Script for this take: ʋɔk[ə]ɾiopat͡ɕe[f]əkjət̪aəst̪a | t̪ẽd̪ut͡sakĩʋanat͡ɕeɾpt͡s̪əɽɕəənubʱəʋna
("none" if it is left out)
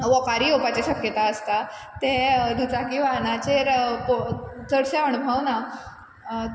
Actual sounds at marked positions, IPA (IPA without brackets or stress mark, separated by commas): a, ɕ